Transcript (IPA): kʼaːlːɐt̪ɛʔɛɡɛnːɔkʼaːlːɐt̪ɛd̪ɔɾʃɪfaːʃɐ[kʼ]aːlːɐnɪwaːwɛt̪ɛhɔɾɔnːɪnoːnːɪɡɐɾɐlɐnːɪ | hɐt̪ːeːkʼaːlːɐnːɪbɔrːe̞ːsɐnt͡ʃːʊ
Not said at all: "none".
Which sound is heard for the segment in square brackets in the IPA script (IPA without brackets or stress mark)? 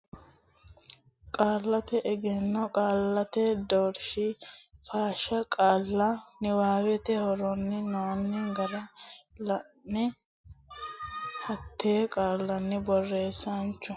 kʼ